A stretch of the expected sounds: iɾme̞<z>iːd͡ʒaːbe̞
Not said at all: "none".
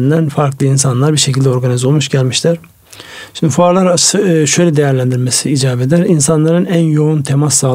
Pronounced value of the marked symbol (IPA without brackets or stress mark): s